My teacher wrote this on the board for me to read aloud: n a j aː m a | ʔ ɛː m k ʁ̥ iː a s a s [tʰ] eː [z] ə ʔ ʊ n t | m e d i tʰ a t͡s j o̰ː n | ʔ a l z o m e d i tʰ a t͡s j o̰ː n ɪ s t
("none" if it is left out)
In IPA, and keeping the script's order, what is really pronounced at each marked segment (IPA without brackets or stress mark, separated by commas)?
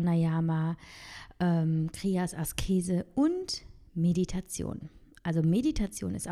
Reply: kʰ, z